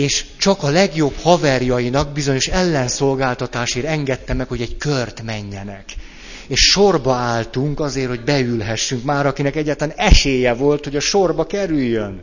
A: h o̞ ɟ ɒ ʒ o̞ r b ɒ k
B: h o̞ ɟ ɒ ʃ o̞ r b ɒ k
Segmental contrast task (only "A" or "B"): B